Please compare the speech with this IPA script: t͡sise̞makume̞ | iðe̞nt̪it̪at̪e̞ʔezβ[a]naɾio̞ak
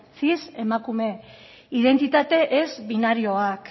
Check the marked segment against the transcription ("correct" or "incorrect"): incorrect